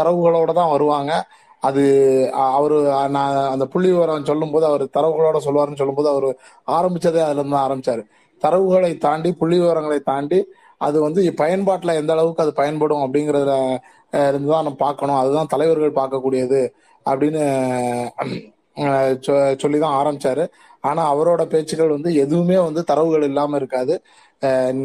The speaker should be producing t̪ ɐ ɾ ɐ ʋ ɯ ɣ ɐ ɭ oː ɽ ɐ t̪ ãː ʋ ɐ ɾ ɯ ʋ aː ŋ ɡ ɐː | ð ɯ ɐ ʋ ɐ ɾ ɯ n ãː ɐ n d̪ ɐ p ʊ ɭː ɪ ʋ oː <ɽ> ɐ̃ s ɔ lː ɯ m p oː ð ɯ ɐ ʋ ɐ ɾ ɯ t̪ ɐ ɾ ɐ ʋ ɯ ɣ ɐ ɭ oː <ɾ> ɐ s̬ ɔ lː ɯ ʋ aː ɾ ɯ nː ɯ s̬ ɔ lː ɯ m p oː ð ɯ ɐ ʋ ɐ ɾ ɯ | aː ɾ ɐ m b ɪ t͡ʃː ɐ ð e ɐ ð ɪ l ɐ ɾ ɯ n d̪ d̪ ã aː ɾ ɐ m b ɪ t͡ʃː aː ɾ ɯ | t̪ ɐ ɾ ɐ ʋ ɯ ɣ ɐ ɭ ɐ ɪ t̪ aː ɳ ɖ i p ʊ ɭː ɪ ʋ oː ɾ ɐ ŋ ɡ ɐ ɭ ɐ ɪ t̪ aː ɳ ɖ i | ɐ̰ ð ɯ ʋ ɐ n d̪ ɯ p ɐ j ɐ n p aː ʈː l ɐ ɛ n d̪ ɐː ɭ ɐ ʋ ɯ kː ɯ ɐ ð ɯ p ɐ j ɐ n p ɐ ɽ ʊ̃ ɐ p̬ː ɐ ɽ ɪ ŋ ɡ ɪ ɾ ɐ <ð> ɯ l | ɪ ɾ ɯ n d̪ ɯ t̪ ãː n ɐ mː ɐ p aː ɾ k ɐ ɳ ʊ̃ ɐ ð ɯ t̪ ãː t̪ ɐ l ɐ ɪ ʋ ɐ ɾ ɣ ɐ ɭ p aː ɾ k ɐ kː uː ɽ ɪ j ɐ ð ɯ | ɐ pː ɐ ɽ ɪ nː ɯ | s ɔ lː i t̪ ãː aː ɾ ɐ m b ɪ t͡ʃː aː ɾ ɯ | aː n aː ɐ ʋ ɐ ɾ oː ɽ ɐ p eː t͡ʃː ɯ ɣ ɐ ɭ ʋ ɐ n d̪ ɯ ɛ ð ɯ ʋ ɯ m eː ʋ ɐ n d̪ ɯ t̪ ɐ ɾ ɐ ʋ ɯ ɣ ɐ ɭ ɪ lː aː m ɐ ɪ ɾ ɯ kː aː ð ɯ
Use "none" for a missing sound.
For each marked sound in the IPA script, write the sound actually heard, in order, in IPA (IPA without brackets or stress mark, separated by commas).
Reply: ɾ, ɽ, ð